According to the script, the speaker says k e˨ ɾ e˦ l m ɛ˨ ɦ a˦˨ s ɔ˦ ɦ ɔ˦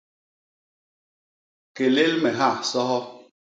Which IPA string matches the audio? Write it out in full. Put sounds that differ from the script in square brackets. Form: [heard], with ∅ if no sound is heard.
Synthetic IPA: k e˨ [l] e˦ l m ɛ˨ ɦ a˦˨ s ɔ˦ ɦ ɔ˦